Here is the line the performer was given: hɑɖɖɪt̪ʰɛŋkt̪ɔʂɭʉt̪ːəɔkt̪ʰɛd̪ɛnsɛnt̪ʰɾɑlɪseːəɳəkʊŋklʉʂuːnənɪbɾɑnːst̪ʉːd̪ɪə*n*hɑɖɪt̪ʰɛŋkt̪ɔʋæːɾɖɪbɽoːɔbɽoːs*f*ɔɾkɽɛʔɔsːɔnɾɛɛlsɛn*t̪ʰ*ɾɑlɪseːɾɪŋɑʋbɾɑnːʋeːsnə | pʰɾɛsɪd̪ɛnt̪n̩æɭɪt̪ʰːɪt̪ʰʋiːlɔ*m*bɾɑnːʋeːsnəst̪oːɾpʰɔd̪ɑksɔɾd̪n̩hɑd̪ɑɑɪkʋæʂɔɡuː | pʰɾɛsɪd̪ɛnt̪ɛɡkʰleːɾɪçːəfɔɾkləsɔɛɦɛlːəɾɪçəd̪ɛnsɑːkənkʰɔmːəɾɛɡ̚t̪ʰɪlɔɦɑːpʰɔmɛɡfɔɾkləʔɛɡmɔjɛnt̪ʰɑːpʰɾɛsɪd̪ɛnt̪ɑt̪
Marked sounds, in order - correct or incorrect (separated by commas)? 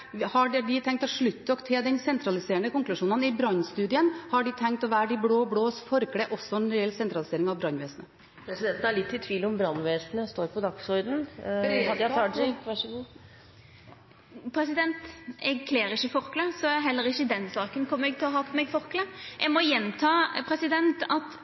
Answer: correct, correct, incorrect, correct